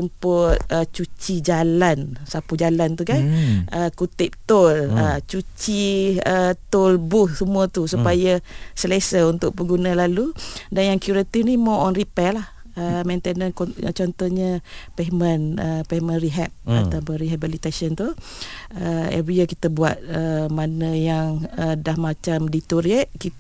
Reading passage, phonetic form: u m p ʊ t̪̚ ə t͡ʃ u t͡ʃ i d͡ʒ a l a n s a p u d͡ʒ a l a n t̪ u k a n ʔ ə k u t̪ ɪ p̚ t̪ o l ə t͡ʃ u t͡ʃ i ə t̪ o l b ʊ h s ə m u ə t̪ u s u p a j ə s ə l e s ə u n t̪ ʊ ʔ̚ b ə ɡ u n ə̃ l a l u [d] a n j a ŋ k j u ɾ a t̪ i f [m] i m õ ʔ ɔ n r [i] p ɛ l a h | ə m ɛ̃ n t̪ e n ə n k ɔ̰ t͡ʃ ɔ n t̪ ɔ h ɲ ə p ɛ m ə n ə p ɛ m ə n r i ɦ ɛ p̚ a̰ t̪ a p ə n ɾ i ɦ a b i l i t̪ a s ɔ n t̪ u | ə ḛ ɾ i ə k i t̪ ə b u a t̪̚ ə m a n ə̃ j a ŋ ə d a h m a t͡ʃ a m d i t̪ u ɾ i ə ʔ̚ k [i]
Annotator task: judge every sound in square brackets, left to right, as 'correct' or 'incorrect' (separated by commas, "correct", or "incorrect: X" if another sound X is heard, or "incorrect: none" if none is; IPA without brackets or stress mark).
correct, incorrect: n, correct, correct